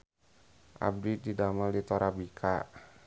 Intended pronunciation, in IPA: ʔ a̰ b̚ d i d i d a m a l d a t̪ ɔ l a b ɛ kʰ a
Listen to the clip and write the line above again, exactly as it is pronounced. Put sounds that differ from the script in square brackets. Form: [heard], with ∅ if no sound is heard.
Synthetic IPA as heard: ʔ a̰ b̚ d i d i d a m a l d [i] t̪ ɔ [ɾ] a b [i] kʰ a